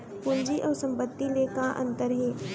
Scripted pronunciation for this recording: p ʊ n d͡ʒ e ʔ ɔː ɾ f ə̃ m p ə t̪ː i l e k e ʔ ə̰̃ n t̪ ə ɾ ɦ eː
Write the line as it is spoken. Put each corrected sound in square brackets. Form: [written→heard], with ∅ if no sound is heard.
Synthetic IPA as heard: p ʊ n d͡ʒ [e→i] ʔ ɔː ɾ [f→s] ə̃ m p ə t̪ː i l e k [e→a] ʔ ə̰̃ n t̪ ə ɾ ɦ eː